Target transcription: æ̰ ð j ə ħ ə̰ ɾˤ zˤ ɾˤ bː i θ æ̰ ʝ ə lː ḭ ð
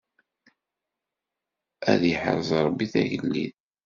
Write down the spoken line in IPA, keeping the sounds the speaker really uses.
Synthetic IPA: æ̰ ð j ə ħ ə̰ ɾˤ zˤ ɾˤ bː i θ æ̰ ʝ ə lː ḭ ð